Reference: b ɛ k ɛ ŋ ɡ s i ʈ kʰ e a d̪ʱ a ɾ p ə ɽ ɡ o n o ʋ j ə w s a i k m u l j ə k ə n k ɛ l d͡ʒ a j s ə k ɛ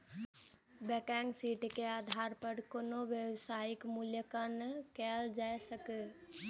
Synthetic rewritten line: b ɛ k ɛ ŋ ɡ s i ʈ k e a d̪ʱ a ɾ p ə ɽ k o n o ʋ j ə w s a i k m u l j ə k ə n k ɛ l d͡ʒ a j s ə k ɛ